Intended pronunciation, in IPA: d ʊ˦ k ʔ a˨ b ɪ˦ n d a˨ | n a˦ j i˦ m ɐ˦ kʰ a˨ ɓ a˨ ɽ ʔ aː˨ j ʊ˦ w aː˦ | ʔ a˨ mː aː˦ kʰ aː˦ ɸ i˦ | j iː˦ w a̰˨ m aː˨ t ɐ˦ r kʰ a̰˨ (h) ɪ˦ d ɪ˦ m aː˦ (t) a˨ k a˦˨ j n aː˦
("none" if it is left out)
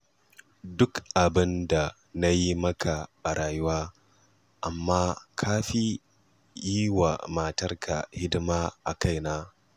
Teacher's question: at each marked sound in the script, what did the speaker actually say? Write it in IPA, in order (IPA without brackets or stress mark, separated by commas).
h, ʔ